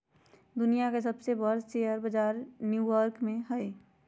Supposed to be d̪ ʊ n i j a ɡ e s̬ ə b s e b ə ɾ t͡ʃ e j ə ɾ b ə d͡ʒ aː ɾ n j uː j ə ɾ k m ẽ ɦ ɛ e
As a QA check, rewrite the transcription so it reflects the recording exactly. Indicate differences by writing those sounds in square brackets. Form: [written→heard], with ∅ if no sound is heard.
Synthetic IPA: d̪ ʊ n i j a [ɡ→k] e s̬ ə b s e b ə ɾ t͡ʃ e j ə ɾ b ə d͡ʒ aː ɾ n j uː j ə ɾ k m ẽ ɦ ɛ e